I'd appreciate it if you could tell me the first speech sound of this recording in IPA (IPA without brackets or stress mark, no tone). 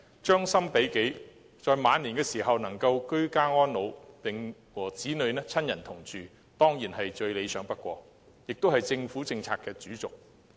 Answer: t͡ʃ